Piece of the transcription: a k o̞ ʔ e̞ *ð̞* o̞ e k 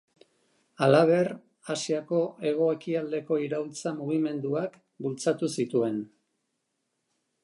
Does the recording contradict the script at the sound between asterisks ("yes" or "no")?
yes